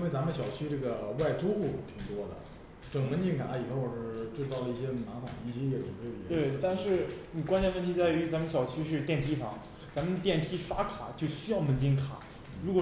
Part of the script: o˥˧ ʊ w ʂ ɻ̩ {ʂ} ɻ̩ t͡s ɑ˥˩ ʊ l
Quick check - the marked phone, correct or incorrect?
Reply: incorrect